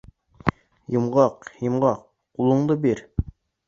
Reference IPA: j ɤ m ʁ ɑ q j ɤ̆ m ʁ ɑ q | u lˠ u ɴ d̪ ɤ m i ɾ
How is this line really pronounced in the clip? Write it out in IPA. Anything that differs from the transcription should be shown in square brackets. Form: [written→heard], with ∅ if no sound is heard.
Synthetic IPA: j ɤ m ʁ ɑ q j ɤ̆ m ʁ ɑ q | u lˠ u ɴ d̪ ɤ [m→b] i ɾ